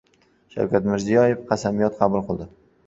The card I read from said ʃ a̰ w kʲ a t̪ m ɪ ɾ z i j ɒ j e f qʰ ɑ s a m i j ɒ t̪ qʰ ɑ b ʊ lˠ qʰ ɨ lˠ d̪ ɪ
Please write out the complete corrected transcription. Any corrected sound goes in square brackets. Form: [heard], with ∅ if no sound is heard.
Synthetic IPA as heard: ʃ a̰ w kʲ a t̪ m ɪ ɾ z i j ɒ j e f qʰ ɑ s a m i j ɒ t̪ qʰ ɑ b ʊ lˠ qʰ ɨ lˠ d̪ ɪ